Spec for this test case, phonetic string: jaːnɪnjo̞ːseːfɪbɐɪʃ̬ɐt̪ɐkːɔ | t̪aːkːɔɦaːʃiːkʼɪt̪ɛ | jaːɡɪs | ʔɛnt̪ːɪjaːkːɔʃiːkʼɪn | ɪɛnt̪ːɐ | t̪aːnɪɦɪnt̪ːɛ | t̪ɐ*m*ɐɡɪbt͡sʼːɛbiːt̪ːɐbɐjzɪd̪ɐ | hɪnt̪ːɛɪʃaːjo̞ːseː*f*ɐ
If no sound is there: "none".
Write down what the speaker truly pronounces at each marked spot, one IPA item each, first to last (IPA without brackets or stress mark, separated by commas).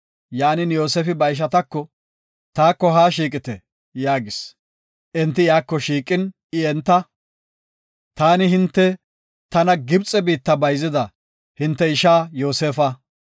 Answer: n, f